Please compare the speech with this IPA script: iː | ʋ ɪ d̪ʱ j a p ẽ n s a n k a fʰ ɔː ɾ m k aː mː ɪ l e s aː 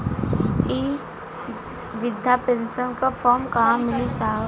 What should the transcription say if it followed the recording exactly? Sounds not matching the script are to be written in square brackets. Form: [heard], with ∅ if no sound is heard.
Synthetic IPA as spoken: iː | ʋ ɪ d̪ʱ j a p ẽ n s [ə] n k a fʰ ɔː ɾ m k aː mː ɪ l [i] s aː

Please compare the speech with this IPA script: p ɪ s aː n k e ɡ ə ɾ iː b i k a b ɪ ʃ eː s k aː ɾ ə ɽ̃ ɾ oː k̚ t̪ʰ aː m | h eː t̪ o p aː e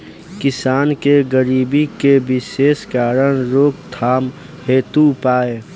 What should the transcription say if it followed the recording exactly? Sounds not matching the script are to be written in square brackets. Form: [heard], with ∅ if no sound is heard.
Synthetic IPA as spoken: [k] ɪ s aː n k e ɡ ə ɾ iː b i k [e] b ɪ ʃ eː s k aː ɾ ə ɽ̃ ɾ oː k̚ t̪ʰ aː m | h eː t̪ [u] p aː e

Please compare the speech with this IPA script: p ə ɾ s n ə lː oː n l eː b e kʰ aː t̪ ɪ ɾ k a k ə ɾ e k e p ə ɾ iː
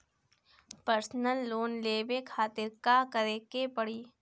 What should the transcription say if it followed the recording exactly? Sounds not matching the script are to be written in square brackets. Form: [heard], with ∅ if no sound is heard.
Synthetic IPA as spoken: p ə ɾ s n ə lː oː n l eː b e kʰ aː t̪ ɪ ɾ k a k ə ɾ e k e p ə [ɽ] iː

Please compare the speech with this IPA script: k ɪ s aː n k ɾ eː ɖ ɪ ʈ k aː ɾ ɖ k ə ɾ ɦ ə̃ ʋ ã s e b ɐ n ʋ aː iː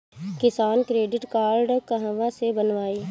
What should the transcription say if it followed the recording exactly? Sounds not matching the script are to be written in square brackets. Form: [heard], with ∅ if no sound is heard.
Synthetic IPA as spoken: k ɪ s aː n k ɾ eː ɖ ɪ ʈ k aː ɾ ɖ k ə [∅] ɦ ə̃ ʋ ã s e b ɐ n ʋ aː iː

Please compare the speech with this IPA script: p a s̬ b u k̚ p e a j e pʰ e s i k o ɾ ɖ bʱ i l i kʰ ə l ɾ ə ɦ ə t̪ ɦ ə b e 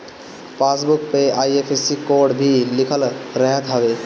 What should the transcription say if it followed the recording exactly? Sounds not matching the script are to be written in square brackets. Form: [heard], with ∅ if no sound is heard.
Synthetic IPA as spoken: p a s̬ b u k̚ p e a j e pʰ e s i k o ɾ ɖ bʱ i l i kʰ ə l ɾ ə ɦ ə t̪ ɦ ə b e

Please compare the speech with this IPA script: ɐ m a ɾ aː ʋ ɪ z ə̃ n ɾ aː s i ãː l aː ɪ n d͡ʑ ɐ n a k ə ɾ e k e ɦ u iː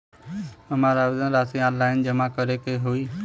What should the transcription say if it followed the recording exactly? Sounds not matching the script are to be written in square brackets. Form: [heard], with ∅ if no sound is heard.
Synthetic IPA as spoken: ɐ m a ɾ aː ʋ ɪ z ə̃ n ɾ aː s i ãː l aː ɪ n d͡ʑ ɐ [m] a k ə ɾ e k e ɦ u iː

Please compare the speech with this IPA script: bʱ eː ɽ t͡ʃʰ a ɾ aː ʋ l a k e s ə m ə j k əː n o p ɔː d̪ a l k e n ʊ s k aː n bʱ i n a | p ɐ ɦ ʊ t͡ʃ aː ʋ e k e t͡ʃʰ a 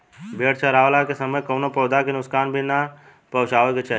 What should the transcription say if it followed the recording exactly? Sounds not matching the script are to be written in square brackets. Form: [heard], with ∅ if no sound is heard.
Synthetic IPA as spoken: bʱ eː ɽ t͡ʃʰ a ɾ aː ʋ l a k e s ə m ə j k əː n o p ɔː d̪ a [∅] k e n ʊ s k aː n bʱ i n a | p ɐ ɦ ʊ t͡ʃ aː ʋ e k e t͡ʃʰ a

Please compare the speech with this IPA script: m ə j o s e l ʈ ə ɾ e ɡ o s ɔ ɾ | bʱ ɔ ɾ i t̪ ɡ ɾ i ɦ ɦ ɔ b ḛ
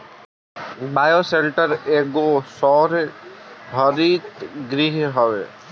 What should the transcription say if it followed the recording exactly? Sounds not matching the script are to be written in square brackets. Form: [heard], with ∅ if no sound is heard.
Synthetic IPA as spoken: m [a] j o s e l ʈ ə ɾ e ɡ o s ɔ ɾ | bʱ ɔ ɾ i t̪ ɡ ɾ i ɦ ɦ ɔ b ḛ

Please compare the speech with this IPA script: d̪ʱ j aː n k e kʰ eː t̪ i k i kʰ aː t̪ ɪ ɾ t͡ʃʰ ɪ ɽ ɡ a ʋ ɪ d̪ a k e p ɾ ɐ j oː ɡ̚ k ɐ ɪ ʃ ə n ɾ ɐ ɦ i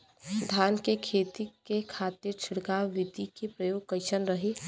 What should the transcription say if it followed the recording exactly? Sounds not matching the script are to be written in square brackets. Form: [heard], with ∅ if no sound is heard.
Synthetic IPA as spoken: d̪ʱ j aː n k e kʰ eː t̪ i k [e] kʰ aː t̪ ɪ ɾ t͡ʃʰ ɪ ɽ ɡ a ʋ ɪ d̪ [i] k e p ɾ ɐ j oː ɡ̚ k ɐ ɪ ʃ ə n ɾ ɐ ɦ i

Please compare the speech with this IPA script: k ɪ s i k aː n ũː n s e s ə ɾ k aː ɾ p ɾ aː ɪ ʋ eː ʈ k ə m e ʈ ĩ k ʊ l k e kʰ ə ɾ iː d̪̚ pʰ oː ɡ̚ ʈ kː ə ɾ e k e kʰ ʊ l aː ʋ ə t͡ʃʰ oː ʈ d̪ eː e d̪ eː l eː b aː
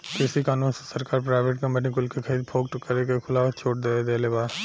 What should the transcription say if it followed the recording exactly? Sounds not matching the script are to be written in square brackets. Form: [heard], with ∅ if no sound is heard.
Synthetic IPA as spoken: k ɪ s i k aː n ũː n s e s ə ɾ k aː ɾ p ɾ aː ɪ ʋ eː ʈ k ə m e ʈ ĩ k ʊ l k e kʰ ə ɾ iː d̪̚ pʰ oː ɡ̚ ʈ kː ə ɾ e k e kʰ ʊ l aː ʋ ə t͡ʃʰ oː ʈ d̪ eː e d̪ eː l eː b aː

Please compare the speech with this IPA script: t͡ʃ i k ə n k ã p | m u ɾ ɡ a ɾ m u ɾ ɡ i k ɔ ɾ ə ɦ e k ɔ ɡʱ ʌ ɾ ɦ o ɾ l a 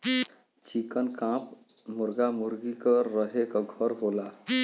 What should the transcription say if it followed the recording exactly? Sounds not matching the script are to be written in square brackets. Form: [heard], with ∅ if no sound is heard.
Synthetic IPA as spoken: t͡ʃ i k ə n k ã p | m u ɾ ɡ a [∅] m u ɾ ɡ i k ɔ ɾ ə ɦ e k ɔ ɡʱ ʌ ɾ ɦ o [∅] l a

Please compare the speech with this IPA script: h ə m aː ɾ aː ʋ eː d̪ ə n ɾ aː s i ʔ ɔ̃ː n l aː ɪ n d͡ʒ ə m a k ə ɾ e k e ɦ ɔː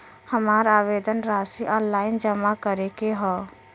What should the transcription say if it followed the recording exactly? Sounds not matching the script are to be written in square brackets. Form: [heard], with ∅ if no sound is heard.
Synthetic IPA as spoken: h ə m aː ɾ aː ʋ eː d̪ ə n ɾ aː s i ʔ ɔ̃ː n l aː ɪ n d͡ʒ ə m a k ə ɾ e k e ɦ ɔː

